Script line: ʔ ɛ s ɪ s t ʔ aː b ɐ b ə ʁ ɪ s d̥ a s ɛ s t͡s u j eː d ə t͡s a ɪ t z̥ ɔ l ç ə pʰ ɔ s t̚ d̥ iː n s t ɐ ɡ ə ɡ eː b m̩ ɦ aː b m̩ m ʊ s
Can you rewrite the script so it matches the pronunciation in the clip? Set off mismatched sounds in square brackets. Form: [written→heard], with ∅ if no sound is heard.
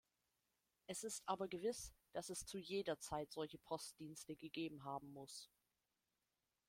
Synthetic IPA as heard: ʔ ɛ s ɪ s t ʔ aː b ɐ [b→ɡ] ə [ʁ→v] ɪ s d̥ a s ɛ s t͡s u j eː d [ə→ɐ] t͡s a ɪ t z̥ ɔ l ç ə pʰ ɔ s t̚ d̥ iː n s t [ɐ→ə] ɡ ə ɡ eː b m̩ ɦ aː b m̩ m ʊ s